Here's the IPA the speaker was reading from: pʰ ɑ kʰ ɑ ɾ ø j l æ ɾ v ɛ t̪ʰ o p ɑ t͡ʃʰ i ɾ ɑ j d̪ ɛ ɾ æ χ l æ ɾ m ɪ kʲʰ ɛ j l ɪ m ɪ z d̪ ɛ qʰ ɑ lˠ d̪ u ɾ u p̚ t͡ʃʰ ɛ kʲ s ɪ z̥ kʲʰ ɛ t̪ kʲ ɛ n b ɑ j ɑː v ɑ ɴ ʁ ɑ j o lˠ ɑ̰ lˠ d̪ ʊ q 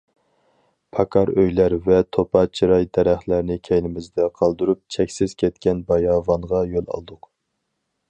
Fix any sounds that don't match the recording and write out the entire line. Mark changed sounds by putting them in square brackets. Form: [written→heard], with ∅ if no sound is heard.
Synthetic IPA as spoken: pʰ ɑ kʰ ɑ ɾ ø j l æ ɾ v ɛ t̪ʰ o p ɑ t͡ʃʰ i ɾ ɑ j d̪ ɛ ɾ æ χ l æ ɾ [m→n] ɪ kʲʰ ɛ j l ɪ m ɪ z d̪ ɛ qʰ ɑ lˠ d̪ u ɾ u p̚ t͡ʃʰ ɛ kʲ s ɪ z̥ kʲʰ ɛ t̪ kʲ ɛ n b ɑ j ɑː v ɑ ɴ ʁ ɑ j o lˠ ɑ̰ lˠ d̪ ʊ q